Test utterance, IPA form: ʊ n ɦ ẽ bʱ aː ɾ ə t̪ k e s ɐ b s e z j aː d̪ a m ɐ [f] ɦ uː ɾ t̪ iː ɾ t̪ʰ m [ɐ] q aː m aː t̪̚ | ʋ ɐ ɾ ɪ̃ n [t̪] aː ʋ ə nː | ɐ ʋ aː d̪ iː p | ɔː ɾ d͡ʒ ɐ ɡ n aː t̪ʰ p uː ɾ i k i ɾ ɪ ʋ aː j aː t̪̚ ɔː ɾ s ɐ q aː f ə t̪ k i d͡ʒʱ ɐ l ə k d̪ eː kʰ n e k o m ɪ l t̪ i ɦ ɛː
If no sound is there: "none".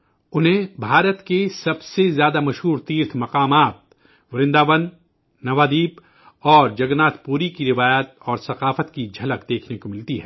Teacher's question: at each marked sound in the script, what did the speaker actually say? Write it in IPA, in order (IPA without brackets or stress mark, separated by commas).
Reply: ʃ, ɐ, d̪